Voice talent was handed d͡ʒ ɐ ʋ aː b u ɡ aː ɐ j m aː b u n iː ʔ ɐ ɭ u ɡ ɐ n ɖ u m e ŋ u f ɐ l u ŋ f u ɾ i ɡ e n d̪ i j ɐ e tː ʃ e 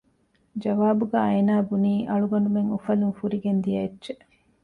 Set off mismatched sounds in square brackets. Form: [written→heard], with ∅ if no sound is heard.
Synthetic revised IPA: d͡ʒ ɐ ʋ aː b u ɡ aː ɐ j [m→n] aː b u n iː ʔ ɐ ɭ u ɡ ɐ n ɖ u m e ŋ u f ɐ l u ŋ f u ɾ i ɡ e n d̪ i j ɐ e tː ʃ e